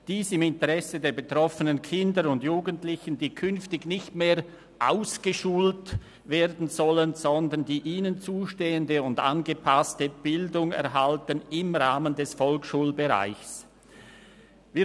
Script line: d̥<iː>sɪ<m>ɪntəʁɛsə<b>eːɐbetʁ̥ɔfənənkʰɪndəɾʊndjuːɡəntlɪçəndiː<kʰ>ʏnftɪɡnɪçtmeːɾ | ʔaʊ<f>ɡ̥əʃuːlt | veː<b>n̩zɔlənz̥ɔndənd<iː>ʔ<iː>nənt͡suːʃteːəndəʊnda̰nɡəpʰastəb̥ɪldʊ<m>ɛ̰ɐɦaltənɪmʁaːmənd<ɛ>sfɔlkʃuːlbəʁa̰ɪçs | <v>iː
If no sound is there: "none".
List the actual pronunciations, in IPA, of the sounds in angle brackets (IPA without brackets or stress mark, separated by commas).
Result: iː, m, d, kʰ, s, d, iː, iː, ŋ, ɛ, v